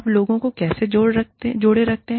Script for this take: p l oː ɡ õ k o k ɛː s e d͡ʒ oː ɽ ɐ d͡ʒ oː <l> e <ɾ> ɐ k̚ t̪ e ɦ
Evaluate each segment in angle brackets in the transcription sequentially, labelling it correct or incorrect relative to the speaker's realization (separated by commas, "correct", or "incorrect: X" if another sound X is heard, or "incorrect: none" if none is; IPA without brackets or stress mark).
incorrect: ɽ, correct